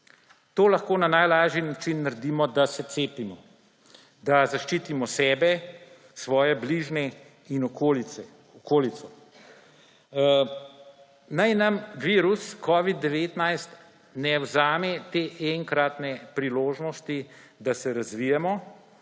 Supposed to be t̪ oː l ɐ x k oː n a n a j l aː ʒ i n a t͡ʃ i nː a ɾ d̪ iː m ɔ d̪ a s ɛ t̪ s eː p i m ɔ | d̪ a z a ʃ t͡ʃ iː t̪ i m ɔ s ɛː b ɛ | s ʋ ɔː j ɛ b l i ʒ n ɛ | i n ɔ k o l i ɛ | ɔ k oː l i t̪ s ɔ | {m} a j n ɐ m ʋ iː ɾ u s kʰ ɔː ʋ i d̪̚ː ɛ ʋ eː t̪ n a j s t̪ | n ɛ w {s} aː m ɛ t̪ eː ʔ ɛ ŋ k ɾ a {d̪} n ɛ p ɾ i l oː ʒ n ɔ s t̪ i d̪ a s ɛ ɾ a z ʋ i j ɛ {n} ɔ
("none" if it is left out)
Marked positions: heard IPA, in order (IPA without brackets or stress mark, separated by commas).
n, z, t̪, m